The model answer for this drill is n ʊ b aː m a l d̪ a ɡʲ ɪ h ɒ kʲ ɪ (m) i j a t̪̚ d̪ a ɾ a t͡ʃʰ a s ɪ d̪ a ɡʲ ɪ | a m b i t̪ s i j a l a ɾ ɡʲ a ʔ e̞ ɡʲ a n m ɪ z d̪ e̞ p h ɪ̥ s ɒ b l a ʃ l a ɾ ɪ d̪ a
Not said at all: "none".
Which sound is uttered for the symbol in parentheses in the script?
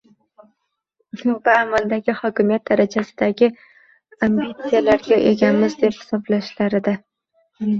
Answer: m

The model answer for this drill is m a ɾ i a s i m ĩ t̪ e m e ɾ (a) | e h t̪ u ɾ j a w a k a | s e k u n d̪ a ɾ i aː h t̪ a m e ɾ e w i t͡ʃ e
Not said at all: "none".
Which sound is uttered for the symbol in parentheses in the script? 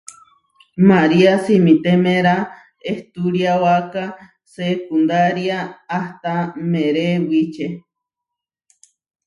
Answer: a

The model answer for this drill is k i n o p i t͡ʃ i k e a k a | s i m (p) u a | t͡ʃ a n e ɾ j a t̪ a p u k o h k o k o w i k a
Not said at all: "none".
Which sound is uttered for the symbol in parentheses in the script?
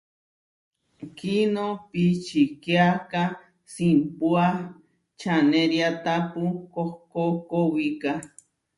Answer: p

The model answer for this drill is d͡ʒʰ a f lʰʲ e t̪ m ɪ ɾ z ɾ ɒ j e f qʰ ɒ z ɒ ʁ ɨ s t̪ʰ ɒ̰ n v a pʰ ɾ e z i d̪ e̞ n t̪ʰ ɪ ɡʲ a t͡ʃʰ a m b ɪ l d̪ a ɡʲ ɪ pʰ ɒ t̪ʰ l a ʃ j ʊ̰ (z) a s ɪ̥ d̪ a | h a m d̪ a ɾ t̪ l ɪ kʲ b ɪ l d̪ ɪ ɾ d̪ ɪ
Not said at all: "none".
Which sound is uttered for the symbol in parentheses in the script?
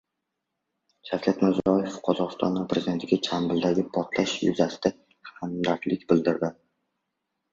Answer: z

